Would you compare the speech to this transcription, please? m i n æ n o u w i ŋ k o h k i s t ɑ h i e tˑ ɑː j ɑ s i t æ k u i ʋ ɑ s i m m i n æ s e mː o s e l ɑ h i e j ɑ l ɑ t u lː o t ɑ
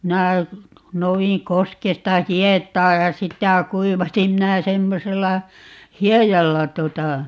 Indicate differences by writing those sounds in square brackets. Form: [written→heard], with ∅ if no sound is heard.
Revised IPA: m i n æ n o u w i ŋ k o [h→s] k [i→e] s t ɑ h i e tˑ ɑː j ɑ s i t æ k u i ʋ ɑ s i m m i n æ s e mː o s e [l→lː] ɑ h i e j ɑ [l→lː] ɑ t u [lː→∅] o t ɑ

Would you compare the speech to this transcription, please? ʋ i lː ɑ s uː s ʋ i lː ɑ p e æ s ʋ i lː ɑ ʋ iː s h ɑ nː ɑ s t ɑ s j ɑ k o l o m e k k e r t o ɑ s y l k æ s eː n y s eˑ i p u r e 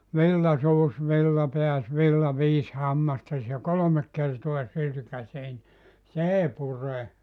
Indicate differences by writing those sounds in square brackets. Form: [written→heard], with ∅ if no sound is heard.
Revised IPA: ʋ i lː ɑ s uː s ʋ i lː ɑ p e æ s ʋ i lː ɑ ʋ iː s h ɑ [nː→mː] ɑ s t ɑ s j ɑ k o l o m e k k e r t o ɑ s y l k æ s eː n [y→i] s eˑ i p u r e

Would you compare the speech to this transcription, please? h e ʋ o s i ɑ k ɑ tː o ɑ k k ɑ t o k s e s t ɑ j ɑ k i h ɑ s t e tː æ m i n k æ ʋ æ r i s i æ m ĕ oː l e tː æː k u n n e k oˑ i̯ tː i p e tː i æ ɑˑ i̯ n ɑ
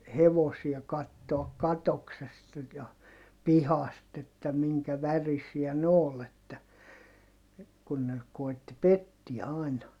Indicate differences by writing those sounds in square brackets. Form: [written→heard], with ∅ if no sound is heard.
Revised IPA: h e ʋ o s i ɑ k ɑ tː o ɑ k k ɑ t o k s e s t ɑ j ɑ [k→p] i h ɑ s t e tː æ m i [n→ŋ] k æ ʋ æ r i s i æ [m→n] ĕ oː l e tː [æː→æ] k u n n e k oˑ i̯ tː i p e tː i æ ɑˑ i̯ n ɑ

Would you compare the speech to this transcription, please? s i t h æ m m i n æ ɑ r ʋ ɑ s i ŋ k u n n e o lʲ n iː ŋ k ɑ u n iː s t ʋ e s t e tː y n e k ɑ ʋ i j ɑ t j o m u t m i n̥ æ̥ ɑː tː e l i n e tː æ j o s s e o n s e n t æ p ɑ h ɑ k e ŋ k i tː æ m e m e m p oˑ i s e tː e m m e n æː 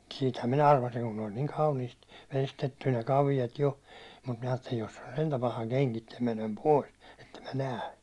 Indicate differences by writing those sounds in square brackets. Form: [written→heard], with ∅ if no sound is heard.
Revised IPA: s [i→iː] t h æ m m i n æ ɑ r ʋ ɑ s i ŋ k u n n e o lʲ n iː ŋ k ɑ u n iː s t ʋ e s t e tː y n e k ɑ ʋ i j ɑ t j o m u t m i n̥ æ̥ ɑː tː e l i n e tː æ j o s s e o n s e n t æ p ɑ h ɑ k e ŋ k i tː æ m e [m→n] e m p oˑ i s e tː e m m [e→æ] n æː

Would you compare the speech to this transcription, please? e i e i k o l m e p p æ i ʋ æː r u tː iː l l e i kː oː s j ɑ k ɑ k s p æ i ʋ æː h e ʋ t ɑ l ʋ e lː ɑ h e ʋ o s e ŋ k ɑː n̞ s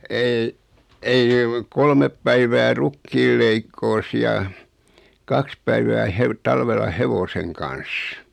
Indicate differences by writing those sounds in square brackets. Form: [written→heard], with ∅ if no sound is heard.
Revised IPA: e i e i k o l m e p p æ i ʋ æː r u [tː→kː] iː l l e i kː oː s j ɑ k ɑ k s p æ i ʋ æː h e ʋ t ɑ l ʋ e lː ɑ h e ʋ o s e ŋ k [ɑː→ɑ] n̞ s

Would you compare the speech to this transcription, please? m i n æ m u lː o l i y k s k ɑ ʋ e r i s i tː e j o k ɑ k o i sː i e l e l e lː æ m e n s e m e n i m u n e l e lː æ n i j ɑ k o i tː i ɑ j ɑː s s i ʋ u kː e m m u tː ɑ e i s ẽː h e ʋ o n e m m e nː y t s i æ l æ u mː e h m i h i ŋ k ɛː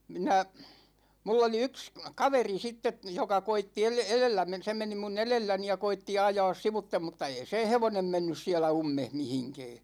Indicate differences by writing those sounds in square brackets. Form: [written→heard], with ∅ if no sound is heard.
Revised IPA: m i n æ m u lː o l i y k s k ɑ ʋ e r i s i tː e j o k ɑ k o i [sː→tː] i e l e l e lː æ m e n s e m e n i m u n e l e lː æ n i j ɑ k o i tː i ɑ j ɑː s s i ʋ u [kː→tː] e m m u tː ɑ e i s ẽː h e ʋ o n e m m e nː y [t→s] s i æ l æ u mː e h m i h i ŋ k ɛː

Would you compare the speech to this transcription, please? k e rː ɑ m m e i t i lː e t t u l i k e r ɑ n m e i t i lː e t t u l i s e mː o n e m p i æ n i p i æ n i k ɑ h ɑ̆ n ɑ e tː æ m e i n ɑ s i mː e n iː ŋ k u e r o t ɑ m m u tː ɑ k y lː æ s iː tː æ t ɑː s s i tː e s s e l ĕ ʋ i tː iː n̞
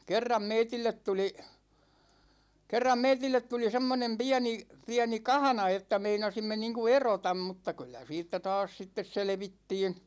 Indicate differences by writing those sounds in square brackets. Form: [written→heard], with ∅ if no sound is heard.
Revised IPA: k e rː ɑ m m e i t i lː e t t u l i k e [r→rː] ɑ [n→m] m e i t i lː e t t u l i s e mː o n e m p i æ n i p i æ n i k ɑ h ɑ̆ n ɑ e tː æ m e i n ɑ s i mː e n iː ŋ k u e r o t ɑ m m u tː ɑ k y lː æ s iː tː æ t ɑː s s i tː e s s e l ĕ ʋ i tː iː n̞

